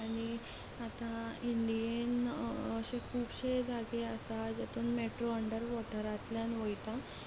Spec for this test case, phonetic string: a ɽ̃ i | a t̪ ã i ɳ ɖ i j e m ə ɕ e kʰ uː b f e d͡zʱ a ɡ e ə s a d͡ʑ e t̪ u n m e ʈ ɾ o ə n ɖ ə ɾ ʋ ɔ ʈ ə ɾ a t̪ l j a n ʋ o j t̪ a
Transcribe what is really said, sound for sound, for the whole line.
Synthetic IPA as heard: a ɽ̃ i | a t̪ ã i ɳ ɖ i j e n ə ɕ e kʰ uː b ɕ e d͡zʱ a ɡ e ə s a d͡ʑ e t̪ uː n m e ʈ ɾ o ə ɳ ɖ ə ɾ ʋ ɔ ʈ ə ɾ a t̪ l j a n ʋ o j t̪ a

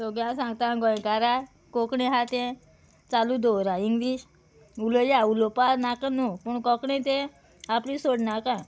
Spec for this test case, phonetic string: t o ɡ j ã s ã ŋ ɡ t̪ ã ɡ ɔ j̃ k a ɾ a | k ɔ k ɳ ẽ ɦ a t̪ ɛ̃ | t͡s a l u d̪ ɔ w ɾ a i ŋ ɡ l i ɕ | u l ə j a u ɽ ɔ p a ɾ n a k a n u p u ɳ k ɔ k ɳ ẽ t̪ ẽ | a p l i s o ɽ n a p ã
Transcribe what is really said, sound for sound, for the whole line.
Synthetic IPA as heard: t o ɡ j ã s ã ŋ ɡ t̪ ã ɡ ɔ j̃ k a ɾ a | k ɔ k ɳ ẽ ɦ a t̪ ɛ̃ | t͡s a l u d̪ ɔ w ɾ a i ŋ ɡ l i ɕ | u l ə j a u l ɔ p a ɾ n a k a n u p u ɳ k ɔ k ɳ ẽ t̪ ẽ | a p l i s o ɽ n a k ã

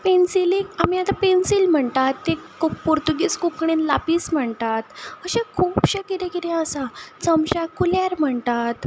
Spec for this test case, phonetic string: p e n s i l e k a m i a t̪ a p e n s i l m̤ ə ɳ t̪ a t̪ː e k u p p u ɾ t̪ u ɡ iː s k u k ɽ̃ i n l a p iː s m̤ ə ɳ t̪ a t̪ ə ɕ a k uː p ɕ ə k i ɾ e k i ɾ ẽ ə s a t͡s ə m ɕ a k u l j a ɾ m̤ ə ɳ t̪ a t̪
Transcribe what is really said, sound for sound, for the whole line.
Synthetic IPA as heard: p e n s i l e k a m i a t̪ a p e n s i l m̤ ə ɳ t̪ a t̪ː e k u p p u ɾ t̪ u ɡ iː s k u k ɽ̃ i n l a p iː s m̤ ə ɳ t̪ a t̪ ə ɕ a kʰ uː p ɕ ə k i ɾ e k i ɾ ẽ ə s a t͡s ə m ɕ a k u l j a ɾ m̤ ə ɳ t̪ a t̪

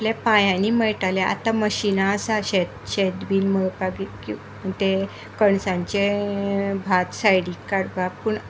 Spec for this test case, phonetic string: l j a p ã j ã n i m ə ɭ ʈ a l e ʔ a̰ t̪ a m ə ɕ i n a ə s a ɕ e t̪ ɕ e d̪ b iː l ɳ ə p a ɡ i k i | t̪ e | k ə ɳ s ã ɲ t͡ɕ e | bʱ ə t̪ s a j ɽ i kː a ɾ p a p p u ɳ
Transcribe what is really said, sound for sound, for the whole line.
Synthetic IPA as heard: l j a p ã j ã n i m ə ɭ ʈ a l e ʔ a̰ t̪ a m ə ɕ i n a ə s a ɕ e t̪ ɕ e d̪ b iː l m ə p a ɡ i k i | t̪ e | k ə ɳ s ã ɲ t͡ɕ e | bʱ a t̪ s a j ɽ i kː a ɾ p a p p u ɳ

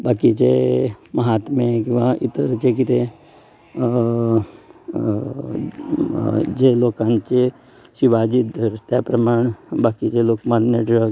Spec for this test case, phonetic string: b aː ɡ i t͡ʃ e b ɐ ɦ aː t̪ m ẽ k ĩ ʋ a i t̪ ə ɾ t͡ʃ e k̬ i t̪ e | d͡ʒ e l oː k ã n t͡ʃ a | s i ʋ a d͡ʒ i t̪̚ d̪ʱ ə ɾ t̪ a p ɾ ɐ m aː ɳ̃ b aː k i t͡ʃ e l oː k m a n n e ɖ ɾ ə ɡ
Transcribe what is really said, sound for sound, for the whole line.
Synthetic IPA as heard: b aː k i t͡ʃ e m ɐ ɦ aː t̪ m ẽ k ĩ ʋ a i t̪ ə ɾ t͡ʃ e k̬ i t̪ e | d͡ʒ e l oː k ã n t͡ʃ e | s i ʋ a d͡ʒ i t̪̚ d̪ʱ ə ɾ t̪ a p ɾ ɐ m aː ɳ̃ b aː k i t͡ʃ e l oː k m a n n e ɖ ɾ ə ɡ

